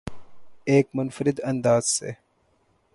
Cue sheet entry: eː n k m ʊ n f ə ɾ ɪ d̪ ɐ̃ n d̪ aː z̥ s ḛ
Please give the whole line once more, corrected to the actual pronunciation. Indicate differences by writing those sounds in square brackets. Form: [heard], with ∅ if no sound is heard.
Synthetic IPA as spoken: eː [∅] k m ʊ n f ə ɾ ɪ d̪ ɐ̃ n d̪ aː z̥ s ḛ